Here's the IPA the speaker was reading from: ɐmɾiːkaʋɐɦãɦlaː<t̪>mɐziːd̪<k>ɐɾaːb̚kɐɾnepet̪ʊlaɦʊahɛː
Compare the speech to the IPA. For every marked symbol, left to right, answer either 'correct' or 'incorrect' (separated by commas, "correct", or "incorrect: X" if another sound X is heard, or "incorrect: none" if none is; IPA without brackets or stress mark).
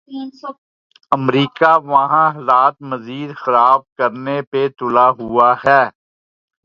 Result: correct, incorrect: x